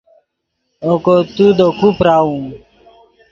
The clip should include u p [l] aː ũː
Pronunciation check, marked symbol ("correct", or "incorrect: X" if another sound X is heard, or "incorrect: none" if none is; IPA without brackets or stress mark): incorrect: ɾ